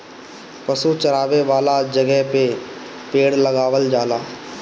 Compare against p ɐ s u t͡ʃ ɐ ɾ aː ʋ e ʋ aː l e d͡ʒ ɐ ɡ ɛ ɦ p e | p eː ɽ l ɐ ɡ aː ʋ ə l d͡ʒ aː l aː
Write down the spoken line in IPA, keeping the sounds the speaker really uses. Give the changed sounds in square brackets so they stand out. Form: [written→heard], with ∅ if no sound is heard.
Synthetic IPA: p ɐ s u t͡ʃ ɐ ɾ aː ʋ e ʋ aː l [e→a] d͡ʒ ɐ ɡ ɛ ɦ p e | p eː ɽ l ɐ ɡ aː ʋ ə l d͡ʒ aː l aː